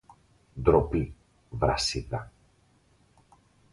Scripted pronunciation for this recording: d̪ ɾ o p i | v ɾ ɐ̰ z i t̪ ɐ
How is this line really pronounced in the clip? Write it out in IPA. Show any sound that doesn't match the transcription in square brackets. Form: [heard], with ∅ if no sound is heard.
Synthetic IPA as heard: d̪ ɾ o p i | v ɾ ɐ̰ [s] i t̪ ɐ